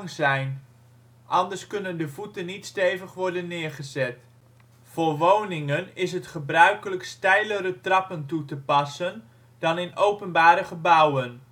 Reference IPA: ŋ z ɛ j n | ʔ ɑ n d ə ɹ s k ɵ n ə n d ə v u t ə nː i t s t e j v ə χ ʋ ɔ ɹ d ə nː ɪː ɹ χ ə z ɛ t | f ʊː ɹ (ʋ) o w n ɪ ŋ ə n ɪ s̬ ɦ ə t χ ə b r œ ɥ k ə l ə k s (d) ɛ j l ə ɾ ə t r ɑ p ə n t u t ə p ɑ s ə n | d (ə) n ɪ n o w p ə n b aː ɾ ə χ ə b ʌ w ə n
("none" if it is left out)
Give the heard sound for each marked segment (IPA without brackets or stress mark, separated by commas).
ʋ, t, ɑ